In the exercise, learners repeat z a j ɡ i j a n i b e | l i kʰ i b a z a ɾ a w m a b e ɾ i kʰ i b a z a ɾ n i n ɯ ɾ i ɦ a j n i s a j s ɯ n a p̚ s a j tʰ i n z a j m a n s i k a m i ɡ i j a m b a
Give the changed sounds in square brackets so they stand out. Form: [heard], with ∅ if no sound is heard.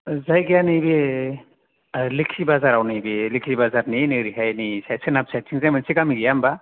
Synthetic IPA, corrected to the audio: z a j ɡ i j a n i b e | l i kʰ i b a z a ɾ a w [n] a b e [l] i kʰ i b a z a ɾ n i n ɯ ɾ i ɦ a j n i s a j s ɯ n a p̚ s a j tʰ i [ŋ] z a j m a n s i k a m i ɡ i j a m b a